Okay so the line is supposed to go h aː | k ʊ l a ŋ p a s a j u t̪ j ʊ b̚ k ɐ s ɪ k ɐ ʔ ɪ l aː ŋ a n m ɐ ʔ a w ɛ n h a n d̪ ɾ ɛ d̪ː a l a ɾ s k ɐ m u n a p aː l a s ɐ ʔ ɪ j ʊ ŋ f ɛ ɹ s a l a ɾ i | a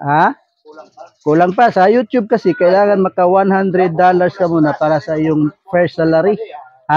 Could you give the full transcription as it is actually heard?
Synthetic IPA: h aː | k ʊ l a ŋ p a s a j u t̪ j ʊ b̚ k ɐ s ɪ k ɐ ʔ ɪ l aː ŋ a n m ɐ k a w a n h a n d̪ ɾ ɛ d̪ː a l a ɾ s k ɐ m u n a p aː ɾ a s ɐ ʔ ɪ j ʊ ŋ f ɛ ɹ s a l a ɾ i | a